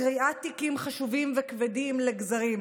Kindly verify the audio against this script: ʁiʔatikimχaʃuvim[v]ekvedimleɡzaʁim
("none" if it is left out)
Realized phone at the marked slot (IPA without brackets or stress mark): v